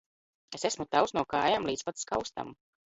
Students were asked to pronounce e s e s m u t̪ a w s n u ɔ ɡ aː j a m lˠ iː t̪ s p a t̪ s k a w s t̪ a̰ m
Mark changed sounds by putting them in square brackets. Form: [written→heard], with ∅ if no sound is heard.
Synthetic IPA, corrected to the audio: e s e s m u t̪ a w s n u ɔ [ɡ→k] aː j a m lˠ iː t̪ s p a t̪ s k a w s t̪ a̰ m